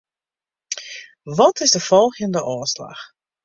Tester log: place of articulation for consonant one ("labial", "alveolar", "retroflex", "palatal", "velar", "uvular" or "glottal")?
labial